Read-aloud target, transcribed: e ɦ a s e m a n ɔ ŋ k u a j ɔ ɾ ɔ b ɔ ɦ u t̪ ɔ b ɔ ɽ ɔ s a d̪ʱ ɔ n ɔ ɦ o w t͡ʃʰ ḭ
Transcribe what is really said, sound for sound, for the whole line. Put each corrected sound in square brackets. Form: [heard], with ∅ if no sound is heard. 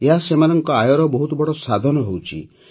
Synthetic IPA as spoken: e ɦ a s e m a n ɔ ŋ k [ɔ] a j ɔ ɾ ɔ b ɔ ɦ u t̪ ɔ b ɔ ɽ ɔ s a d̪ʱ ɔ n ɔ ɦ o w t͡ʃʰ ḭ